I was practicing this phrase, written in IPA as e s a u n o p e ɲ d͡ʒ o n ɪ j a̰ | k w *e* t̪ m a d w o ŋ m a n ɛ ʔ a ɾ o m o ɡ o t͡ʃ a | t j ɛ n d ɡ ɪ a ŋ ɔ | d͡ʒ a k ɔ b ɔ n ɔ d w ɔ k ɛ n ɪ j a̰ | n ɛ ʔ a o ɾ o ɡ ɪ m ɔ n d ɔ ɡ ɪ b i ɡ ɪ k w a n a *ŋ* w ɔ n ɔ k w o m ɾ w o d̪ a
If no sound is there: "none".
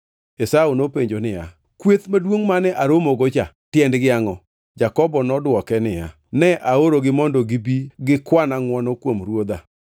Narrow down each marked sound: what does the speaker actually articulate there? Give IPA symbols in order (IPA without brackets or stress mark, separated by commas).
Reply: e, ŋ